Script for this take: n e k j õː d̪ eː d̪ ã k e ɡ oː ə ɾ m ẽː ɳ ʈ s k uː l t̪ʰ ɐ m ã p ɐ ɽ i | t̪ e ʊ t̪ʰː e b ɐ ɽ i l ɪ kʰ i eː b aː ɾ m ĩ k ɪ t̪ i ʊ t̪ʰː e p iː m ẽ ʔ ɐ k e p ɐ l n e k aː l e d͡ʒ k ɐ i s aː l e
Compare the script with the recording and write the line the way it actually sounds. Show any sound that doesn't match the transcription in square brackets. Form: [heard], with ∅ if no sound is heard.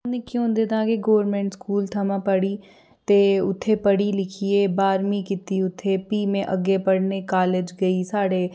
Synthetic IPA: n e k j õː d̪ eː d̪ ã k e ɡ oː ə ɾ m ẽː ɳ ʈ s k uː l t̪ʰ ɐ m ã p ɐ ɽ i | t̪ e ʊ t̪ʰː e [p] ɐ ɽ i l ɪ kʰ i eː b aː ɾ m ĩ k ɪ t̪ i ʊ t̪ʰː e p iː m ẽ ʔ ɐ [ɡ] e p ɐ [ɽ] n e k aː l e d͡ʒ [ɡ] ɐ i s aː [ɽ] e